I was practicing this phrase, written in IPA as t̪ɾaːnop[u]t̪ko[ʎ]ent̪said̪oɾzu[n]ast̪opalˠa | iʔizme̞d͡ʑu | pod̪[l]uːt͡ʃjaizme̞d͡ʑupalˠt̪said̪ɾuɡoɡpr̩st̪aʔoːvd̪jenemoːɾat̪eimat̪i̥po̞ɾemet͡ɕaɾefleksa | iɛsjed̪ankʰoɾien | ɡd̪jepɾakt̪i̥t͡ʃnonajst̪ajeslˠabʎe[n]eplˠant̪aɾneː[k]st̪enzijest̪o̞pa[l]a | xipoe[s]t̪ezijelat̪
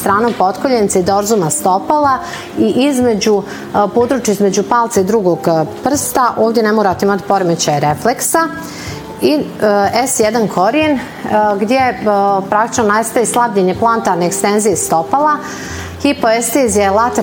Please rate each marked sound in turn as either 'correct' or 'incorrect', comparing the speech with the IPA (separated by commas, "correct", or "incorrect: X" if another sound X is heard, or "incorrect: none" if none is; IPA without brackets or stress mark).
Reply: incorrect: o, correct, incorrect: m, incorrect: ɾ, incorrect: ɲ, correct, correct, correct